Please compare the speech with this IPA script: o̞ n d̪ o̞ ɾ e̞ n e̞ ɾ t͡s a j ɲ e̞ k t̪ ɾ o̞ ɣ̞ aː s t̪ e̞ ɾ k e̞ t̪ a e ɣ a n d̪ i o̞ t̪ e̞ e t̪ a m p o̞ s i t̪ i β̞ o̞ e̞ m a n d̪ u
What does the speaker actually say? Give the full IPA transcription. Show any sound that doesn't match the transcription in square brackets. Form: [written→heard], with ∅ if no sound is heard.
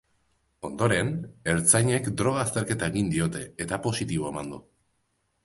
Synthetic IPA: o̞ n d̪ o̞ ɾ e̞ n e̞ ɾ t͡s a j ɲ e̞ k [t̪→d̪] ɾ o̞ ɣ̞ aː s t̪ e̞ ɾ k e̞ t̪ a e ɣ [a→i] n d̪ i o̞ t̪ e̞ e t̪ a [m→∅] p o̞ s i t̪ i β̞ o̞ e̞ m a n d̪ u

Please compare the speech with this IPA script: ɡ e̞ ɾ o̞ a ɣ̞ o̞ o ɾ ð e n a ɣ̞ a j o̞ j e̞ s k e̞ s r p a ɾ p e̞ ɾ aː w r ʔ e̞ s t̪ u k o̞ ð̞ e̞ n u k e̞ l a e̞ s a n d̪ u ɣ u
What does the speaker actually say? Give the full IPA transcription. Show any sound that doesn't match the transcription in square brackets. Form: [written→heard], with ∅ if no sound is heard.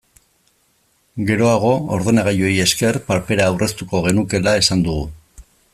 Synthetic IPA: ɡ e̞ ɾ o̞ a ɣ̞ o̞ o ɾ ð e n a ɣ̞ a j o̞ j e̞ s k e̞ [s→∅] r p a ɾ p e̞ ɾ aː w r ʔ e̞ s t̪ u k o̞ [ð̞→ɣ̞] e̞ n u k e̞ l a e̞ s a n d̪ u ɣ u

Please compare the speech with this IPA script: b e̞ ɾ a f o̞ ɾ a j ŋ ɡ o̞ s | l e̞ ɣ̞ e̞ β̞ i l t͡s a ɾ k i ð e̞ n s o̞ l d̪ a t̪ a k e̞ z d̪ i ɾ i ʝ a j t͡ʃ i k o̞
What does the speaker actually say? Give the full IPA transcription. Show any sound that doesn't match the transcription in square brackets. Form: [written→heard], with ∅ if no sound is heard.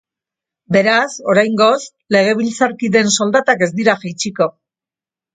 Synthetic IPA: b e̞ ɾ a [f→s] o̞ ɾ a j ŋ ɡ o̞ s | l e̞ ɣ̞ e̞ β̞ i l t͡s a ɾ k i ð e̞ n s o̞ l d̪ a t̪ a k e̞ z d̪ i ɾ [i→a] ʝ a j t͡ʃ i k o̞

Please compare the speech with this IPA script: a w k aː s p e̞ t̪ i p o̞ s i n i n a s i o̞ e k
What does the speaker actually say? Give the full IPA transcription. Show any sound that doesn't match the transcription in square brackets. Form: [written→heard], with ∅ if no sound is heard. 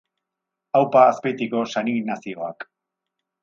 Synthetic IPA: a w [k→p] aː s p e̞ t̪ i [p→k] o̞ s [i→a] n i n a s i o̞ [e→a] k

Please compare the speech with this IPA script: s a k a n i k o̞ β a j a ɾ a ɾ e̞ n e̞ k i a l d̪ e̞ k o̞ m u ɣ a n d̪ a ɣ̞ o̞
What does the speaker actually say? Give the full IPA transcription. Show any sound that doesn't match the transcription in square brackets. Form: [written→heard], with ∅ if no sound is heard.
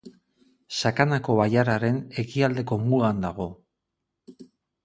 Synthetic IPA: s a k a n [i→a] k o̞ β a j a ɾ a ɾ e̞ n e̞ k i a l d̪ e̞ k o̞ m u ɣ a n d̪ a ɣ̞ o̞

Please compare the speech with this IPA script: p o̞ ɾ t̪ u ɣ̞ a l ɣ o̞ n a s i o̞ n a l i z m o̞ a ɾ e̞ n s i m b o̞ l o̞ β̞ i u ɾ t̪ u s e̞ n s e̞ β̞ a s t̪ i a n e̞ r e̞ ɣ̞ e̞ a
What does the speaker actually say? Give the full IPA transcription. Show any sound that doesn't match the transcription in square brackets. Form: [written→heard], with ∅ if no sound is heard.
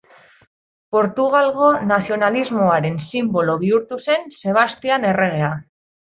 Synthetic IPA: p o̞ ɾ t̪ u ɣ̞ a l ɣ o̞ n a s i o̞ n a l i z m o̞ a ɾ e̞ n s i m b o̞ l o̞ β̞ i u ɾ t̪ u s e̞ n s e̞ β̞ a s t̪ i a n e̞ r e̞ ɣ̞ e̞ a

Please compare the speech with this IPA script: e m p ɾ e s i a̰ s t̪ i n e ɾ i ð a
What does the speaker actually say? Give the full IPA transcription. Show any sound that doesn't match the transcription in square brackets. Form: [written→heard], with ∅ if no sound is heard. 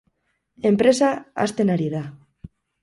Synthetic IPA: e m p ɾ e s [i→a] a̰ s t̪ [i→e] n [e→a] ɾ i ð a

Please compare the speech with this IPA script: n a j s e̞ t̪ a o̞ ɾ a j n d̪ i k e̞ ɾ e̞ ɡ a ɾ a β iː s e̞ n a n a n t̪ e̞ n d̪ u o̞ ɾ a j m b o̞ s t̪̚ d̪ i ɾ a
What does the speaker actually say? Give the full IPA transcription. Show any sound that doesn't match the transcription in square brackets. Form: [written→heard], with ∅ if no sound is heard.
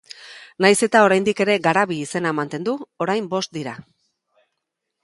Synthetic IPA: n a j s e̞ t̪ a o̞ ɾ a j n d̪ i k e̞ ɾ e̞ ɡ a ɾ a β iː s e̞ n a [n→m] a n t̪ e̞ n d̪ u o̞ ɾ a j m b o̞ s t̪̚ d̪ i ɾ a

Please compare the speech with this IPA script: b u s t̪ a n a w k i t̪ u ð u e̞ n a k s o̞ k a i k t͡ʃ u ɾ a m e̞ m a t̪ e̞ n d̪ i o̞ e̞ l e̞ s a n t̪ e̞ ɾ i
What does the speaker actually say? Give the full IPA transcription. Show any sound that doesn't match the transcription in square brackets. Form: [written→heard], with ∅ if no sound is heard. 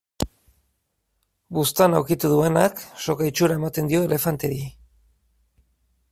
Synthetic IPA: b u s t̪ a n a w k i t̪ u ð u e̞ n a k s o̞ k a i [k→∅] t͡ʃ u ɾ a [m→∅] e̞ m a t̪ e̞ n d̪ i o̞ e̞ l e̞ [s→f] a n t̪ e̞ ɾ i

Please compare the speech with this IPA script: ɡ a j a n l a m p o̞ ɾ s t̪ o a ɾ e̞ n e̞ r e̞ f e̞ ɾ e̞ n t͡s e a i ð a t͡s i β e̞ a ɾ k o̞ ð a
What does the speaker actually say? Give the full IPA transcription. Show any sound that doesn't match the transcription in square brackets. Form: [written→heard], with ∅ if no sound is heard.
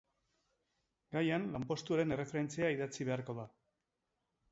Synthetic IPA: ɡ a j a n l a m p o̞ [ɾ→∅] s t̪ [o→u] a ɾ e̞ n e̞ r e̞ f e̞ ɾ e̞ n t͡s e a i ð a t͡s i β e̞ a ɾ k o̞ ð a

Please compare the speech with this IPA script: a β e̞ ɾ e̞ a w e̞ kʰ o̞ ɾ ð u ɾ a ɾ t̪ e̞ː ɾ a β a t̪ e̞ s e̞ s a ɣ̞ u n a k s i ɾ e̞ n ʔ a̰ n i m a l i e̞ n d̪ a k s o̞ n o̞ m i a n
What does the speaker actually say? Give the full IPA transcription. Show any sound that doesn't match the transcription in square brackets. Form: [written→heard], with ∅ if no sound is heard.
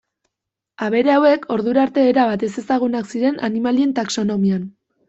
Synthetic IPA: a β e̞ ɾ e̞ a w e̞ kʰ o̞ ɾ ð u ɾ a ɾ t̪ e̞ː ɾ a β a t̪ e̞ s e̞ s a ɣ̞ u n a k s i ɾ e̞ n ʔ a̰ n i m a l i e̞ n [d̪→t̪] a k s o̞ n o̞ m i a n

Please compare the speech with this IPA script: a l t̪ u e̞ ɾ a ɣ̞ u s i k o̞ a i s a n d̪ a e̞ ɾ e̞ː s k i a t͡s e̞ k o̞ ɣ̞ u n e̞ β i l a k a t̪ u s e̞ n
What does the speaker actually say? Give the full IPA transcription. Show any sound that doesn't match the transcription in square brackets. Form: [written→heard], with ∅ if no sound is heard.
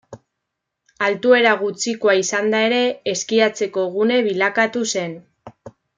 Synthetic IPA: a l t̪ u e̞ ɾ a ɣ̞ u [s→t͡s] i k o̞ a i s a n d̪ a e̞ ɾ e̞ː s k i a t͡s e̞ k o̞ ɣ̞ u n e̞ β i l a k a t̪ u s e̞ n

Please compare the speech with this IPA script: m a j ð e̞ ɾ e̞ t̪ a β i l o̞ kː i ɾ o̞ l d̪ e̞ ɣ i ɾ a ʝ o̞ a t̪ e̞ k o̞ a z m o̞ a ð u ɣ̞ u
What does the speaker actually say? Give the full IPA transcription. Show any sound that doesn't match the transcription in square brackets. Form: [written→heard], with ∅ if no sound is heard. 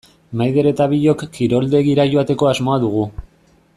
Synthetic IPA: m a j ð e̞ ɾ e̞ t̪ a β i [l→ʎ] o̞ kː i ɾ o̞ l d̪ e̞ ɣ i ɾ a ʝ o̞ a t̪ e̞ k o̞ a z m o̞ a ð u ɣ̞ u

